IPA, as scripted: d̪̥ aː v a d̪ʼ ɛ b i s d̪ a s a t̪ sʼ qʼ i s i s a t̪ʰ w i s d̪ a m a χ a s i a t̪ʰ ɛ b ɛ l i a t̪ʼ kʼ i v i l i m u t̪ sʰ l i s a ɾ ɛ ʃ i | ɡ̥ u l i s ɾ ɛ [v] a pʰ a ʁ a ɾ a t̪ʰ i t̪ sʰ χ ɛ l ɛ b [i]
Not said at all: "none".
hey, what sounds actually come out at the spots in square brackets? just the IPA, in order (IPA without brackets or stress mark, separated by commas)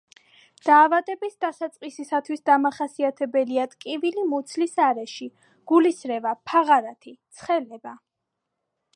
v, a